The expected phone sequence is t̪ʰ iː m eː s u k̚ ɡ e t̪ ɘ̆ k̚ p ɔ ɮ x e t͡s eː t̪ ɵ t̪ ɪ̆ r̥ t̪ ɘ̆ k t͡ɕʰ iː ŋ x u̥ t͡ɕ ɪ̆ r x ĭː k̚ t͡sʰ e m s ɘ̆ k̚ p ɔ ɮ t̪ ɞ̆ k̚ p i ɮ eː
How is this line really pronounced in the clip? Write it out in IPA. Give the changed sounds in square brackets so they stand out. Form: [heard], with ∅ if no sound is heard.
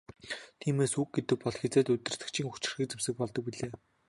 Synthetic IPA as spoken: t̪ʰ iː m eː s u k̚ ɡ e t̪ ɘ̆ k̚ p ɔ ɮ x e t͡s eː t̪ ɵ t̪ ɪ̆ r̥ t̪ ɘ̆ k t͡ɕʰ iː ŋ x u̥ t͡ɕ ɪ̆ r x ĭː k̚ [t͡s] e m s ɘ̆ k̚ p ɔ ɮ t̪ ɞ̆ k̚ p i ɮ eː